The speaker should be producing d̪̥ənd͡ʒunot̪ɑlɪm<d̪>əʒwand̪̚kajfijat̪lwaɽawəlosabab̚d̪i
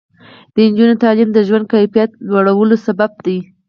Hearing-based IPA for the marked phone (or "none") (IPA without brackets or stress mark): d̪